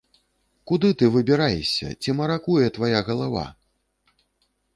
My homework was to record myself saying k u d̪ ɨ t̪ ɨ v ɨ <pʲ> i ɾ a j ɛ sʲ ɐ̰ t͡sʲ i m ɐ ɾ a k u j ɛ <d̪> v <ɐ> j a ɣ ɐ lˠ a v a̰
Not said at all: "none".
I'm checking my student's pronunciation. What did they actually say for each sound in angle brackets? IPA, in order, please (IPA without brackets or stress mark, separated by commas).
bʲ, t̪, a